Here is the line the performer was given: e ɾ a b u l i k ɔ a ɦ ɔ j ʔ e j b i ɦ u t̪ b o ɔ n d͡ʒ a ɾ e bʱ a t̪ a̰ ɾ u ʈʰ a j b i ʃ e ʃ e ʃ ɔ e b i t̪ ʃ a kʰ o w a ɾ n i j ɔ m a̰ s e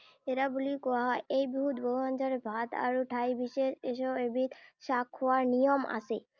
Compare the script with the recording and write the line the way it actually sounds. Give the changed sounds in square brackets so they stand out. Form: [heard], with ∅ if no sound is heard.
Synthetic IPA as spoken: e ɾ a b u l i k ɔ a ɦ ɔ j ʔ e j b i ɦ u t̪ b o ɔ n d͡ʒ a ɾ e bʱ a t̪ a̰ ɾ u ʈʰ a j b i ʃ e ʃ e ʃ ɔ e b i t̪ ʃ a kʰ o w a ɾ n i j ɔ m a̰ s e